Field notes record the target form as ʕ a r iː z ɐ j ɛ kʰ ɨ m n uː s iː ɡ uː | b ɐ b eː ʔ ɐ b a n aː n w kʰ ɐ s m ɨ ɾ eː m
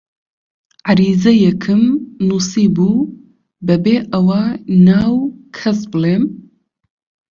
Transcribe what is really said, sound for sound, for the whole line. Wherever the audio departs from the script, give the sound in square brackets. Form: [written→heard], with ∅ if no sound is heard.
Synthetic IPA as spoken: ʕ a [r→ɾ] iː z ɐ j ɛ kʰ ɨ m n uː s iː [ɡ→b] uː | b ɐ b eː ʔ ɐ [b→w] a n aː [n→∅] w kʰ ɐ s [m→b] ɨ [ɾ→l] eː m

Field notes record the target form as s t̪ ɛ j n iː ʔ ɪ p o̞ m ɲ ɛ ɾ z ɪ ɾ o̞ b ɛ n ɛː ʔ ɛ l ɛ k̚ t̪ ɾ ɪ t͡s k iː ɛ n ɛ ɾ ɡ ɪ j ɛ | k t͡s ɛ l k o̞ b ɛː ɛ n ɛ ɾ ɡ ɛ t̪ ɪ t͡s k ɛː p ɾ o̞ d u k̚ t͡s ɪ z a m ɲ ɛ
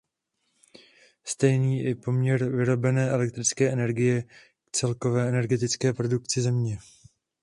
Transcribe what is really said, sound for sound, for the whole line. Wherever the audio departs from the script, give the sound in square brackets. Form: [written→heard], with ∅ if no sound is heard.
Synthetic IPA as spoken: s t̪ ɛ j n iː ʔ ɪ p o̞ m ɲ ɛ ɾ [z→v] ɪ ɾ o̞ b ɛ n ɛː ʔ ɛ l ɛ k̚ t̪ ɾ ɪ t͡s k [iː→ɛː] ɛ n ɛ ɾ ɡ ɪ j ɛ | k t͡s ɛ l k o̞ [b→v] ɛː ɛ n ɛ ɾ ɡ ɛ t̪ ɪ t͡s k ɛː p ɾ o̞ d u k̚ t͡s ɪ z [a→ɛ] m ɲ ɛ

